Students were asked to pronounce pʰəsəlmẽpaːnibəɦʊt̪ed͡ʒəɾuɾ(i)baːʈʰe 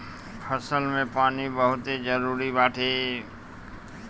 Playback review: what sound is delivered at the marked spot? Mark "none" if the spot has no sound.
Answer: i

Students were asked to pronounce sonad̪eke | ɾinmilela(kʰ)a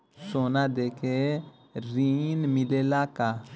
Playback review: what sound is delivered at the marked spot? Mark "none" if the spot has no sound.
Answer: k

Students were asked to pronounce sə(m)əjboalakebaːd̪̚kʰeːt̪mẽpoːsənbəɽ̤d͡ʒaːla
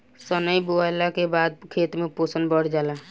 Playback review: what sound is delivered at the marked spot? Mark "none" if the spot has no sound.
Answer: n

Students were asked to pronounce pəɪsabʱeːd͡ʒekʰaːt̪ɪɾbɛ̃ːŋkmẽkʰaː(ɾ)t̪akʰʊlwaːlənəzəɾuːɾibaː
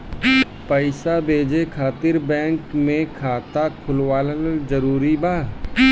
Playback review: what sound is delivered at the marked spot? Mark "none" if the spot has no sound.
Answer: none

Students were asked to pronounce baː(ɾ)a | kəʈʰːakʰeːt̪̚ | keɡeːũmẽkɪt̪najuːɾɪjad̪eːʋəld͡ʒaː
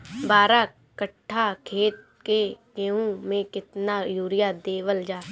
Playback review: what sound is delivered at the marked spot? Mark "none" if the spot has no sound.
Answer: ɾ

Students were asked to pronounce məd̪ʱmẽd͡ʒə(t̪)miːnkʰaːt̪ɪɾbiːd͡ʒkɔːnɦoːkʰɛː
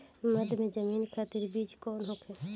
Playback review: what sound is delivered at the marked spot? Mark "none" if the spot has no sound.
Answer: none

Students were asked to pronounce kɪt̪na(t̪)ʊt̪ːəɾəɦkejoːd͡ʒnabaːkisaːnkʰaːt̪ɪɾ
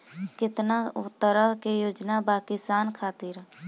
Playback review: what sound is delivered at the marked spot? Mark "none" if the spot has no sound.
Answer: none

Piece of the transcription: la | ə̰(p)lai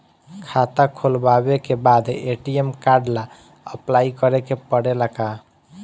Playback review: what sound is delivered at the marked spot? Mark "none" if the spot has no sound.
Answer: p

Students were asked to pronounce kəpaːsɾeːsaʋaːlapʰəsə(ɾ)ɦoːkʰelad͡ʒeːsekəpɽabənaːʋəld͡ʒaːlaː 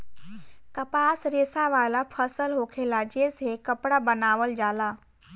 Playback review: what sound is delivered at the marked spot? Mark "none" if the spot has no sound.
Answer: l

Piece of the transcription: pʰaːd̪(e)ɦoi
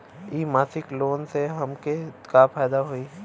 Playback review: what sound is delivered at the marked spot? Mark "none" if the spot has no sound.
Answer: a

